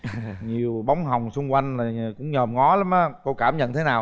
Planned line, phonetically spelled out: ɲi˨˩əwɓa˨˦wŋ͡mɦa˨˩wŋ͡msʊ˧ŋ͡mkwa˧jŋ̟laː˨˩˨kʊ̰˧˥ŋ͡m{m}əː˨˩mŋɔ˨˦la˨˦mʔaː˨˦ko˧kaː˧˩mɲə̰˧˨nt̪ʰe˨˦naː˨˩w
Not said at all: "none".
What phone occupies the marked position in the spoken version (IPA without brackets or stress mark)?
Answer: ɲ